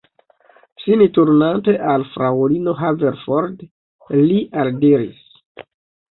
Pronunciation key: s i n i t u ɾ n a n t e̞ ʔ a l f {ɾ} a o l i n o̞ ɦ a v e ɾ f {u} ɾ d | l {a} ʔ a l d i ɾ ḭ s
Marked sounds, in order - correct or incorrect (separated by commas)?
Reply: correct, incorrect, incorrect